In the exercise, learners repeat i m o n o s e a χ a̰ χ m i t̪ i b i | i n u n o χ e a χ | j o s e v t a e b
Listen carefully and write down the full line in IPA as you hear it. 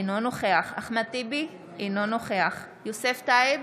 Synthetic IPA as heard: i n o n o χ e a χ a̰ χ m a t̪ i b i | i n o n o χ e a χ | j o s e f t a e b